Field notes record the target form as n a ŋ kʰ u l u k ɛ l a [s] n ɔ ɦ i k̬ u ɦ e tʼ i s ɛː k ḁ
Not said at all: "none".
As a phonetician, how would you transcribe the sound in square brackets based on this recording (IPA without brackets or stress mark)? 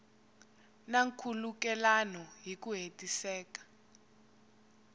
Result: none